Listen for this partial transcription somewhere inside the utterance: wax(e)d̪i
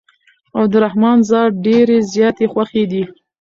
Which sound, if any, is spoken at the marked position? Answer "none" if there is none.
e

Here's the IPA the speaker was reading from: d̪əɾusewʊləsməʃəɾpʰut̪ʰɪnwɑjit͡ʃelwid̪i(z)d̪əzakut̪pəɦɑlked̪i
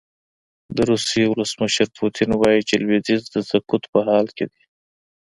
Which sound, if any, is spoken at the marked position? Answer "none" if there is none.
z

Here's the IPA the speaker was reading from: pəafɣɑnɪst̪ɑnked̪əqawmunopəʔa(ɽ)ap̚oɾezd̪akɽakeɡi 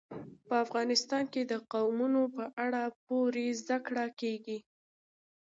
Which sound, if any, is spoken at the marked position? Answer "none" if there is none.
ɽ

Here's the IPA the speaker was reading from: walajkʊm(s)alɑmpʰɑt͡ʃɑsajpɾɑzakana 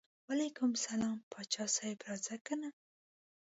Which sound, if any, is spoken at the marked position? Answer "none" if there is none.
s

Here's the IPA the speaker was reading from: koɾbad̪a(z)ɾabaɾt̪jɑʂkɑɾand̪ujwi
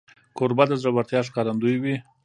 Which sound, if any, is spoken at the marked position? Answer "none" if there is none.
z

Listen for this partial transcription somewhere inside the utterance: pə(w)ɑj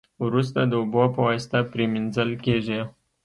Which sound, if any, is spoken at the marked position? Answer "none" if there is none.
w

